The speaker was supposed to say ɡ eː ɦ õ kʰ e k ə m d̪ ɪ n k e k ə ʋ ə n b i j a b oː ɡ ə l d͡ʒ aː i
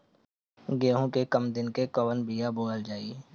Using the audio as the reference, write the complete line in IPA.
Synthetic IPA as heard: ɡ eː ɦ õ k e k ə m d̪ ɪ n k e k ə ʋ ə n b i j a b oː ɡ ə l d͡ʒ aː i